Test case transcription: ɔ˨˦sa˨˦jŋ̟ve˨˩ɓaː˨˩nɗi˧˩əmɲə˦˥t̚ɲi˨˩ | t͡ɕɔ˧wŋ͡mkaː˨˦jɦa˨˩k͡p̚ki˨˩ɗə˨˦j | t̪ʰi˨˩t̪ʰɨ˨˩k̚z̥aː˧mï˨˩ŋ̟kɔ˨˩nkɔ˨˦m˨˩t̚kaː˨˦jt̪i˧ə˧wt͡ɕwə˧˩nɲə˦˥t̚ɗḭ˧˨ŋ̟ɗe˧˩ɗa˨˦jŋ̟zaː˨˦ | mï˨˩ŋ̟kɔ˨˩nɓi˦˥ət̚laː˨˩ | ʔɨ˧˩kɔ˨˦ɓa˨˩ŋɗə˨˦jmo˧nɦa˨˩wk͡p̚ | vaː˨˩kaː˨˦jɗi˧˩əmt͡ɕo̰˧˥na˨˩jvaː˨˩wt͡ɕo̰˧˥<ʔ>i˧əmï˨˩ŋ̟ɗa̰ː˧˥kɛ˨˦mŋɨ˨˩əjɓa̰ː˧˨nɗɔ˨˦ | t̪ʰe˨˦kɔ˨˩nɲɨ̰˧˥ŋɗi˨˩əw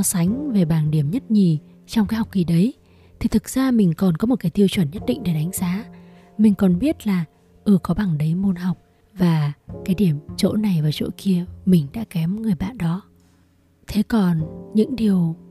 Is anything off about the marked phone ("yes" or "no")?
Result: yes